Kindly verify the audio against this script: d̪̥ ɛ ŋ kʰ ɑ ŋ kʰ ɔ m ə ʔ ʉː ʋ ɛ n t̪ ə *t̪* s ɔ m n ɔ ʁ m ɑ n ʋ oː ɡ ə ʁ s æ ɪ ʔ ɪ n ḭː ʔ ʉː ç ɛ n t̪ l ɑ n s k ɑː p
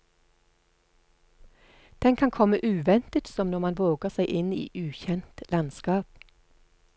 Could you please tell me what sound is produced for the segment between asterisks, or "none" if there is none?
t̪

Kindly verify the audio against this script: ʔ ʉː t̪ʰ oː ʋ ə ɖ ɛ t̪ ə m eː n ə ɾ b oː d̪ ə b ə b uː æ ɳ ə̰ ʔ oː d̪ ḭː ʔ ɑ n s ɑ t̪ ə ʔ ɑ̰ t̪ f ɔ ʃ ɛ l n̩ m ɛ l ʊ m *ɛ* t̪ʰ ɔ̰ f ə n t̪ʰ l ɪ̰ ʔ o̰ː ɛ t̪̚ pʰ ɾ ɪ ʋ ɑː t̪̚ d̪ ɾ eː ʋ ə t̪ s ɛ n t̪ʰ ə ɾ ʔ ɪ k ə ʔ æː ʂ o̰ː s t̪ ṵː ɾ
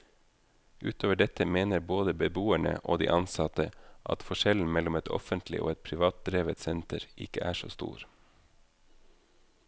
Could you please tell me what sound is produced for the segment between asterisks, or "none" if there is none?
ɛ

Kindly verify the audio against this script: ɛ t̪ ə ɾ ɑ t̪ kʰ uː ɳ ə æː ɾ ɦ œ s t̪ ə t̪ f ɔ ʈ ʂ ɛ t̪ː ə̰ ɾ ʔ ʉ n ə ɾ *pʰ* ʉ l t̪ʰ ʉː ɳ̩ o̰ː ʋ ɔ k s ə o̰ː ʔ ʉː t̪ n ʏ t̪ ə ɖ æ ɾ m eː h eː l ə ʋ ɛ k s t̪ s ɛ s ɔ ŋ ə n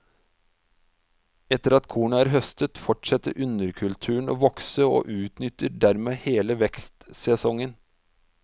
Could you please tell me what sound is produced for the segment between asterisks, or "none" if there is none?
kʰ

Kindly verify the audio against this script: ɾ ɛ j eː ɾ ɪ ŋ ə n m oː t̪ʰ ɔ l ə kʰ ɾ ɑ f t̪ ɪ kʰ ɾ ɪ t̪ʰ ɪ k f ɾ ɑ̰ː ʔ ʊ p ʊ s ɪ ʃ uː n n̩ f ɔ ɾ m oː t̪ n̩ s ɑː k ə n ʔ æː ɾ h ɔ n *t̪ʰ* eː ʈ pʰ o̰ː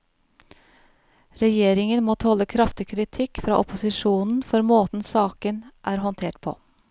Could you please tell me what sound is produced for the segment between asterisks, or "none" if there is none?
t̪ʰ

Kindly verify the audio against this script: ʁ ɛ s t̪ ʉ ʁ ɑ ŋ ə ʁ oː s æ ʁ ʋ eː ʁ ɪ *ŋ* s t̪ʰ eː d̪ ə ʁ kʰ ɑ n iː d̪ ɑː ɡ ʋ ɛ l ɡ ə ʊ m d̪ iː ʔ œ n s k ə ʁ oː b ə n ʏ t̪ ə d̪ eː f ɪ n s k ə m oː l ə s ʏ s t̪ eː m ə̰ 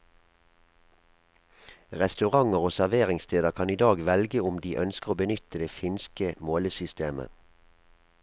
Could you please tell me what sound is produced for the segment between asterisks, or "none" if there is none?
ŋ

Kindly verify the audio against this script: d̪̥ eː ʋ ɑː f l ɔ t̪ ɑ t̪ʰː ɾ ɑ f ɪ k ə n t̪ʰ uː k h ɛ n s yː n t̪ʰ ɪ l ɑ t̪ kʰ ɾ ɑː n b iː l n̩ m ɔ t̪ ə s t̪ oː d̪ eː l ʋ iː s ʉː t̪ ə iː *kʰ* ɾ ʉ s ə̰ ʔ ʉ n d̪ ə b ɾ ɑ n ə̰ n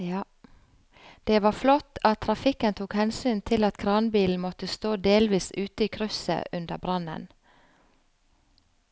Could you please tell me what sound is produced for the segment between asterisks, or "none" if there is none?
kʰ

